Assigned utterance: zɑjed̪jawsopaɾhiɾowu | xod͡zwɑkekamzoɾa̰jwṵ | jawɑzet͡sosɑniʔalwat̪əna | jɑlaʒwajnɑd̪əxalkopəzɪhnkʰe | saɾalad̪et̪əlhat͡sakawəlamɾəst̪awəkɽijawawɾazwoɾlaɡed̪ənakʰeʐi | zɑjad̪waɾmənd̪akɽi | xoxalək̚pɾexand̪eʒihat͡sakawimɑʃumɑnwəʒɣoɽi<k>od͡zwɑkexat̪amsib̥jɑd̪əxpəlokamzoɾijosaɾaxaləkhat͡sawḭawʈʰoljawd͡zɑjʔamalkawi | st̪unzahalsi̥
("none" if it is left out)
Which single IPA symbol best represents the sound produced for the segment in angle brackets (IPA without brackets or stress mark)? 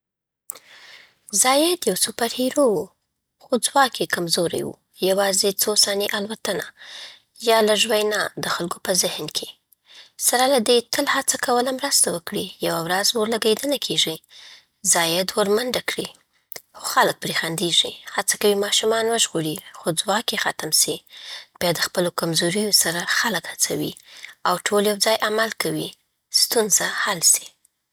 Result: x